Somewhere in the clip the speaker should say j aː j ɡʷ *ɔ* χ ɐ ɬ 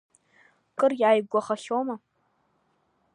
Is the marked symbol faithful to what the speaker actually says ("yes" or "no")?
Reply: yes